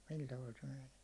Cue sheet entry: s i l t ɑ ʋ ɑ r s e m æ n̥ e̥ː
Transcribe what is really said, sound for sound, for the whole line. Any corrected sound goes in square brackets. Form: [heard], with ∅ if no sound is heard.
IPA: s i l t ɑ ʋ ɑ [l] s e m [e] n̥ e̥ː